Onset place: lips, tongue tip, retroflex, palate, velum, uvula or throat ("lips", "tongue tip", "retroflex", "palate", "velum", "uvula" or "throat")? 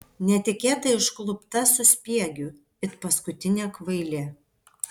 tongue tip